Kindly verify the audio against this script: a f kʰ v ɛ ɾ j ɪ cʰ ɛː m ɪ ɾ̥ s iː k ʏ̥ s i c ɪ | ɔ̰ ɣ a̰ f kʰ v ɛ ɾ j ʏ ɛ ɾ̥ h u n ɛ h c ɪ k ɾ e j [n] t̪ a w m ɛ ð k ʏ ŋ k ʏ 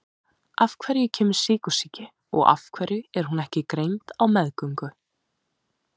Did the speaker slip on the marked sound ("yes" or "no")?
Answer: no